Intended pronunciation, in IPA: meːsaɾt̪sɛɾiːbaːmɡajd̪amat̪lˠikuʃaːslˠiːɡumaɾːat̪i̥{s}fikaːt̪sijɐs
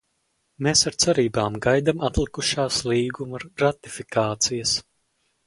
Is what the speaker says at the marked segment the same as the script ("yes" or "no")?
no